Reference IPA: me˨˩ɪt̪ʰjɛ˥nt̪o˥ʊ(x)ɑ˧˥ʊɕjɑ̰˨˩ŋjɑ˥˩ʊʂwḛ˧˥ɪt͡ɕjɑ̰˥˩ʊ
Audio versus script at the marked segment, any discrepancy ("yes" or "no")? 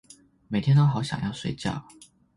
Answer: no